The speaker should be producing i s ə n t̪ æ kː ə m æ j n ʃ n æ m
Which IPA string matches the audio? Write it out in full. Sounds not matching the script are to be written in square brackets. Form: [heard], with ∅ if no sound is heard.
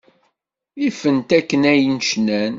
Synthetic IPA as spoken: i [f] ə n t̪ æ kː ə [n] æ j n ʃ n æ [n]